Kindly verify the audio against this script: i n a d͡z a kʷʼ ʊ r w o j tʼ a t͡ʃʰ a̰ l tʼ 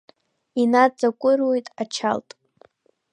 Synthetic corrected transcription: i n a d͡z a kʷʼ ʊ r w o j tʼ a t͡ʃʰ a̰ l tʼ